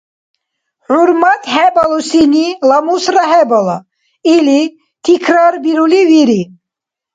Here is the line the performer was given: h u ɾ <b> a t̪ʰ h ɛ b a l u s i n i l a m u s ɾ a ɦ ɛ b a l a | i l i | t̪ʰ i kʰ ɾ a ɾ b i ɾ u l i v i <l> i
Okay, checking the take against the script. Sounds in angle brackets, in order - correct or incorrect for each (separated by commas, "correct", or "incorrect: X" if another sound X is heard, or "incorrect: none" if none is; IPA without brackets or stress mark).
incorrect: m, incorrect: ɾ